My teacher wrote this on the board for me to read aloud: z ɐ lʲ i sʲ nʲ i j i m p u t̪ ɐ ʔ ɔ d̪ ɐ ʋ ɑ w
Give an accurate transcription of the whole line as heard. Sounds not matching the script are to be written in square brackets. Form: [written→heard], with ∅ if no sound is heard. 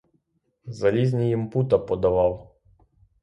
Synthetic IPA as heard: z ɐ lʲ i [sʲ→zʲ] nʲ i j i m p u t̪ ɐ [ʔ→p] ɔ d̪ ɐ ʋ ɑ w